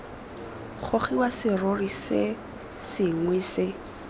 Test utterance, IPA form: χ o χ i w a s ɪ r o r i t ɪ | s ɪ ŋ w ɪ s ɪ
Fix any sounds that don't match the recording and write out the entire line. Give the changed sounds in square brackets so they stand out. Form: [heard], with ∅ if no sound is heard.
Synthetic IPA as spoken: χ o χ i w a s ɪ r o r i [s] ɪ | s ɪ ŋ w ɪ s ɪ